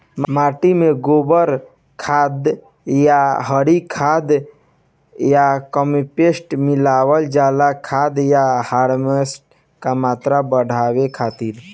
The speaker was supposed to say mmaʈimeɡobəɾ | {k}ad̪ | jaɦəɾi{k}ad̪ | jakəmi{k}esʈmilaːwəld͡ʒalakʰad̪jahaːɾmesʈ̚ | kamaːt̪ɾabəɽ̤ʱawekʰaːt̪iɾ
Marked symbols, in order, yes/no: no, no, no

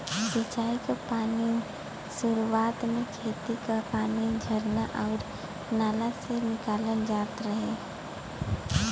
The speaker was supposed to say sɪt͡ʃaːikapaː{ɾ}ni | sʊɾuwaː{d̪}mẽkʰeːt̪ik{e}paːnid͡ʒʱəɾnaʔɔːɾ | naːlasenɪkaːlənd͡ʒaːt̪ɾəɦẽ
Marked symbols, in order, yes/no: no, no, no

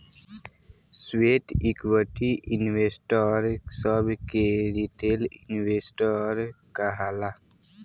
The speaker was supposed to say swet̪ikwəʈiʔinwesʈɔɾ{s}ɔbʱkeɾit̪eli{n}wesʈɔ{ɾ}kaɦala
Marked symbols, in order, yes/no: yes, yes, yes

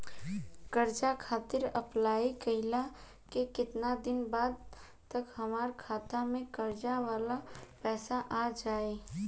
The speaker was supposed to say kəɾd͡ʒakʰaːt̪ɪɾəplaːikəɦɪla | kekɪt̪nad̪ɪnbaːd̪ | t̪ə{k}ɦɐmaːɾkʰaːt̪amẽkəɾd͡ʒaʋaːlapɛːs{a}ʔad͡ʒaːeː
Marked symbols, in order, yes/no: yes, yes

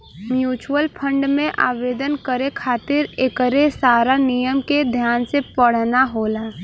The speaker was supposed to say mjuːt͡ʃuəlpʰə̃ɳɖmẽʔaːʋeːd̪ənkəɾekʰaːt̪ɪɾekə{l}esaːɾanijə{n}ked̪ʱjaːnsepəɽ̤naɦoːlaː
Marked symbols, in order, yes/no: no, no

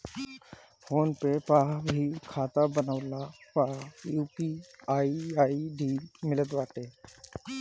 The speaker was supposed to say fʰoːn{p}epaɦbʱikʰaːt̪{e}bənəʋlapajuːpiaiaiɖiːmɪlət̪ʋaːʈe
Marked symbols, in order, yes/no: yes, no

